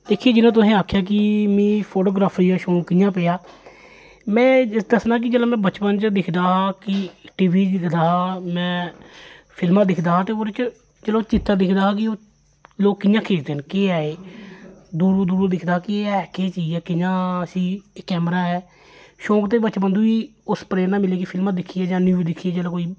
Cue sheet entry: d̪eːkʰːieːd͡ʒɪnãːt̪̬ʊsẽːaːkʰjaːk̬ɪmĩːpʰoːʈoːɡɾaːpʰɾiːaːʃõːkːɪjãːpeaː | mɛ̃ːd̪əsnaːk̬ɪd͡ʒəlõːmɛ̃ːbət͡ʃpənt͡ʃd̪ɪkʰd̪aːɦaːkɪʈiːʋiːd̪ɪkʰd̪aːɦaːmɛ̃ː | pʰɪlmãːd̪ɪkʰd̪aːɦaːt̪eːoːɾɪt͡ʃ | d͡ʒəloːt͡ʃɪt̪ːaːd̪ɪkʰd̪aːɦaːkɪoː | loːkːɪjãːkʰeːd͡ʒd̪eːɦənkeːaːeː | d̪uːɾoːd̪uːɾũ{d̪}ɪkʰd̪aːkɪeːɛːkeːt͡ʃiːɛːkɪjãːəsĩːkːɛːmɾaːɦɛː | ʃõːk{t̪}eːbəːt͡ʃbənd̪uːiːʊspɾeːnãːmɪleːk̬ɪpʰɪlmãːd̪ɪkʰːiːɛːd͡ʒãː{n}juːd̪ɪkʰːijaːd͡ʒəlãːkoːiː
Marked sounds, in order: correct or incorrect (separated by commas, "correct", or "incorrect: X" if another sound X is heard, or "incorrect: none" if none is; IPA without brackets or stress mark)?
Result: correct, correct, correct